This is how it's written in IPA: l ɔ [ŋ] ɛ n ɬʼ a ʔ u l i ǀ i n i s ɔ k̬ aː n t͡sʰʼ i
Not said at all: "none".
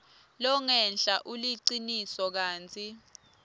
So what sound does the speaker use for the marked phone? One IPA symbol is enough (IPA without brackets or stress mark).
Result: ŋ